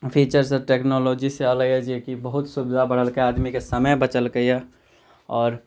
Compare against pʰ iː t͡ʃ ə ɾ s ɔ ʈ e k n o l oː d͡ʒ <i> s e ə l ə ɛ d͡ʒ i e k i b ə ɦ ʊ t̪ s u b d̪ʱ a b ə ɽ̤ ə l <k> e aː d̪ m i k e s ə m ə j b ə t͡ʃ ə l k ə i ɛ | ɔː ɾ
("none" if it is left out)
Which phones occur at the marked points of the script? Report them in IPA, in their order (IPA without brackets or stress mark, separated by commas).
i, k